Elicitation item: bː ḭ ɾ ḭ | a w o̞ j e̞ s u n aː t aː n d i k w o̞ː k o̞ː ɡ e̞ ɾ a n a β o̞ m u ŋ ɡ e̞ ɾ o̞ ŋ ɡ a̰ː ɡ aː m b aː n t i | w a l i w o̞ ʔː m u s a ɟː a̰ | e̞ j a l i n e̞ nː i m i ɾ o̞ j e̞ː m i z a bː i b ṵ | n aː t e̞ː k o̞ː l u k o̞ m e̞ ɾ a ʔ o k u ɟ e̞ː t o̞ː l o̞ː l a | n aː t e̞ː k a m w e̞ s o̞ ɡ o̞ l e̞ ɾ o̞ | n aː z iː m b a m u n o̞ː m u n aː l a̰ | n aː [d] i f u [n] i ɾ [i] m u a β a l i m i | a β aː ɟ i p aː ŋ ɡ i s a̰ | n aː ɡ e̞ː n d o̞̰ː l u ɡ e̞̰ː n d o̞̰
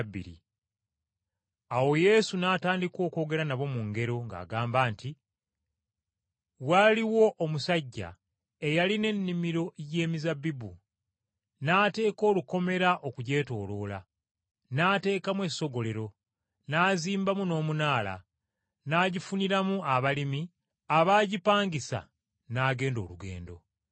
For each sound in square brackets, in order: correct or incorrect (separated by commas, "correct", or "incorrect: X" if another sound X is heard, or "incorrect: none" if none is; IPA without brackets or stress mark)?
incorrect: ɟ, correct, incorrect: a